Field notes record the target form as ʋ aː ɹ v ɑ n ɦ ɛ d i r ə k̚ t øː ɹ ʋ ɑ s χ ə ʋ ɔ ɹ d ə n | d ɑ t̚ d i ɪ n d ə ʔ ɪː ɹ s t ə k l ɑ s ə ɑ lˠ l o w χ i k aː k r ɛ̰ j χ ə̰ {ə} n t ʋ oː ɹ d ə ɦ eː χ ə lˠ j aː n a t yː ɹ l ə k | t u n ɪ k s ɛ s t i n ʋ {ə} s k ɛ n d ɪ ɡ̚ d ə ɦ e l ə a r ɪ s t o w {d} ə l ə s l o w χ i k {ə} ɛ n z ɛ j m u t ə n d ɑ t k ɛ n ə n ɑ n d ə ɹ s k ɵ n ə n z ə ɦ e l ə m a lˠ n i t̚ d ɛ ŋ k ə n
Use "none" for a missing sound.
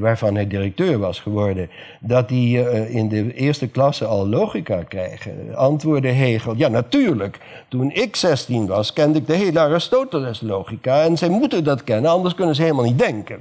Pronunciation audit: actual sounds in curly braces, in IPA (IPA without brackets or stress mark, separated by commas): ɑ, ɑ, t, a